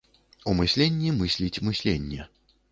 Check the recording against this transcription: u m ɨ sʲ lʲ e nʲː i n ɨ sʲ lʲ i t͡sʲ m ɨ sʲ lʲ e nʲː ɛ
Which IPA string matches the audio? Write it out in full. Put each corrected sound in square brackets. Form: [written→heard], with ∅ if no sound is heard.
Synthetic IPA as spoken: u m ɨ sʲ lʲ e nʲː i [n→m] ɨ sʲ lʲ i t͡sʲ m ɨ sʲ lʲ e nʲː ɛ